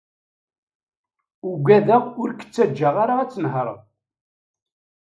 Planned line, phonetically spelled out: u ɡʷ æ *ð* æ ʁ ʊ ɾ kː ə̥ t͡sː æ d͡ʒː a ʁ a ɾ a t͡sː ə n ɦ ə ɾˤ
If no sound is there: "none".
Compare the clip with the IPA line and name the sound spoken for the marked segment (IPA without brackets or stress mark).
ð